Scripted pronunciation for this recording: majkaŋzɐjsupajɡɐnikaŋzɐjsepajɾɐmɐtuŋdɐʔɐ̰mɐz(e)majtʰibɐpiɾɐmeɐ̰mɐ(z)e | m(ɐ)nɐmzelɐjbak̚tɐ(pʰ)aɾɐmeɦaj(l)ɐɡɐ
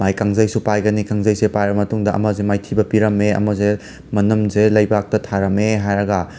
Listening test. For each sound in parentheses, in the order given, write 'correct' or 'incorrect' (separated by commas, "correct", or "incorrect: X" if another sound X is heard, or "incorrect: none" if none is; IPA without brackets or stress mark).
correct, correct, correct, incorrect: tʰ, incorrect: ɾ